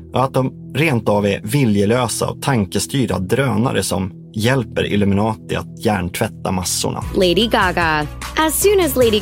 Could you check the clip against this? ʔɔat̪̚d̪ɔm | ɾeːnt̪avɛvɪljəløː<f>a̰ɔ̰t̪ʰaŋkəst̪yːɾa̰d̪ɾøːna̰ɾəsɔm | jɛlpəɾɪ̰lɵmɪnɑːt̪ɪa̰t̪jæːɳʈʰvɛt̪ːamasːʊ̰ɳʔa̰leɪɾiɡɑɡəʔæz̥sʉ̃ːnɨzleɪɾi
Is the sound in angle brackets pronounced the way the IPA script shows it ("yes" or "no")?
no